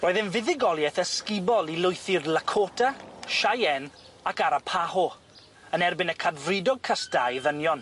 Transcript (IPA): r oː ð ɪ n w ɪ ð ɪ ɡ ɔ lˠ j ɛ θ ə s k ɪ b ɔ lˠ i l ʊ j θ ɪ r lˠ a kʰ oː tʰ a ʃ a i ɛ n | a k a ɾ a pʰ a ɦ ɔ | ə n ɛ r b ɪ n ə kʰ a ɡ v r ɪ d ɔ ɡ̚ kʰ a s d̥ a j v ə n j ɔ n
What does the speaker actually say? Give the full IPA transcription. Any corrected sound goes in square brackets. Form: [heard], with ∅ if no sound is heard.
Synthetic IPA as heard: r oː ð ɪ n [v] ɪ ð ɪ ɡ ɔ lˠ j ɛ θ ə s k ɪ b ɔ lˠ i l ʊ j θ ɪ r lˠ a kʰ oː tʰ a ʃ a [j] ɛ n | a k a ɾ a pʰ a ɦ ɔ | ə n ɛ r b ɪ n ə kʰ a [d] v r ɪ d ɔ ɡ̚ kʰ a s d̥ a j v ə n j ɔ n